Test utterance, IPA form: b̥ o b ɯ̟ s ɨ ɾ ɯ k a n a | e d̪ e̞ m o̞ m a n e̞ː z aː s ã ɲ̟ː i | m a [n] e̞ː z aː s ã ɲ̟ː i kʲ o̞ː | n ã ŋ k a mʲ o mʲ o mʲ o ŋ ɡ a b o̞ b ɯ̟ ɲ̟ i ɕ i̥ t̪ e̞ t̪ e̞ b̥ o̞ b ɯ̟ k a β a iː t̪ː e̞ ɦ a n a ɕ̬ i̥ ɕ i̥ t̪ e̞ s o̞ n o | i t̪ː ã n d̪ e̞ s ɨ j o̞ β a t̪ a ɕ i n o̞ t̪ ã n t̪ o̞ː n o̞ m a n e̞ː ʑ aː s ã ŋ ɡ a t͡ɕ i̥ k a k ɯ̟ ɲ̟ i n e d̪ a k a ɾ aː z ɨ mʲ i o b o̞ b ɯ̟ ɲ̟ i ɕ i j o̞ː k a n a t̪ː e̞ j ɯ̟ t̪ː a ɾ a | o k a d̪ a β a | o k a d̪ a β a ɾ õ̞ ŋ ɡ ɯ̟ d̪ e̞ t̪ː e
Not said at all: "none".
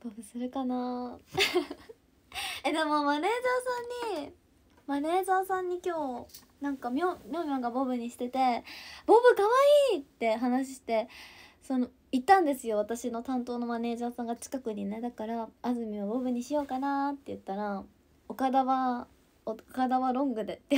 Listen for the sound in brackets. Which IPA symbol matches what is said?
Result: n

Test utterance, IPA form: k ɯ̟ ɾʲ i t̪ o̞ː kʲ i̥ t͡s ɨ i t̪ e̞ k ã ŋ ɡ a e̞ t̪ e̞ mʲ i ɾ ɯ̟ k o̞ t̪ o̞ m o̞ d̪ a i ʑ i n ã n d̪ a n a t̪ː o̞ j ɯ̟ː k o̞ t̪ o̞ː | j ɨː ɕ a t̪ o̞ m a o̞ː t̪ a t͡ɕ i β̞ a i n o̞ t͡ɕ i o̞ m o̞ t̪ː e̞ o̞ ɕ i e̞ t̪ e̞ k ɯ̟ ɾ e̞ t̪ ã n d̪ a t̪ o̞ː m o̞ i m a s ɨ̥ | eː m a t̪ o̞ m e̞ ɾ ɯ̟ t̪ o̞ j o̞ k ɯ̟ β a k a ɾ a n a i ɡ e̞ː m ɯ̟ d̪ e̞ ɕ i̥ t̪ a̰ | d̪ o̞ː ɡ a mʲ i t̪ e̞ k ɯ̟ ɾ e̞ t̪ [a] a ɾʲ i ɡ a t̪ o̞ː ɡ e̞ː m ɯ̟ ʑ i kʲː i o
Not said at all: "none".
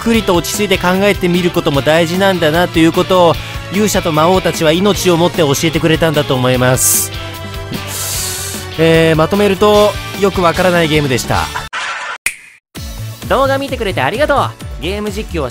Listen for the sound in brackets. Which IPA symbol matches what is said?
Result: e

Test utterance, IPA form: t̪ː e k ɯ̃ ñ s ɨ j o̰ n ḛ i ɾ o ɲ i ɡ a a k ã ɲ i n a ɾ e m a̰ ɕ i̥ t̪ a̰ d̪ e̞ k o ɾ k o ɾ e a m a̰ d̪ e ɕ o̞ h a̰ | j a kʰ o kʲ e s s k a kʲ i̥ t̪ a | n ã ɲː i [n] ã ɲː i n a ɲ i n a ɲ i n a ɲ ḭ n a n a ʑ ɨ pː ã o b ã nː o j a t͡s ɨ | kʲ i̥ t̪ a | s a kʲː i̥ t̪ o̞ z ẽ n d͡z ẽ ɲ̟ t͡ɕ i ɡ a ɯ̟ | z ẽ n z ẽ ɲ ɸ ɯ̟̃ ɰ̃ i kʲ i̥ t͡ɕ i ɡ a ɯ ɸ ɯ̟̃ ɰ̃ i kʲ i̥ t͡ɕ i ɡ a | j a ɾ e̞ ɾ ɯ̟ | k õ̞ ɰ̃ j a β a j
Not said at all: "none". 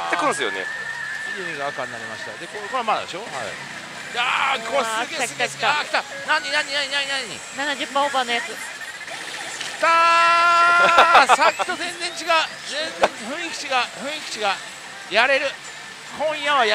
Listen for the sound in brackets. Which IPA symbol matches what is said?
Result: n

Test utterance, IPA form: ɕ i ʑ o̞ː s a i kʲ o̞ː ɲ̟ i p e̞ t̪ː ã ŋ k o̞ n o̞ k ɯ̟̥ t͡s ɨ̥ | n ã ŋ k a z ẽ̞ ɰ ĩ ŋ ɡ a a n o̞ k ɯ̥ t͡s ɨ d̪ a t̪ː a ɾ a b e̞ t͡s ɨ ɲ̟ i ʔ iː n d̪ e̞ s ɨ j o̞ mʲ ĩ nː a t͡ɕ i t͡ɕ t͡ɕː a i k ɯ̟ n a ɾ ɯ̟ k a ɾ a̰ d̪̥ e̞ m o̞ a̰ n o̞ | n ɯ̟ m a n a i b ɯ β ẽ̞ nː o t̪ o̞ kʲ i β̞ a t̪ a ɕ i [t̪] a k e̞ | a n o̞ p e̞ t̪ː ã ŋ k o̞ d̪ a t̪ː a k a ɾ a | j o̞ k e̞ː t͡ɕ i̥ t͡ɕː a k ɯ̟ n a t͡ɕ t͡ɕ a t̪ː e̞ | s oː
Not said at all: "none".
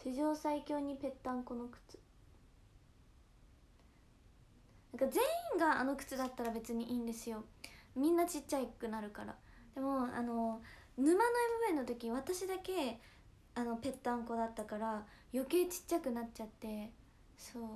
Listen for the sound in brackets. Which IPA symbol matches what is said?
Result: d̪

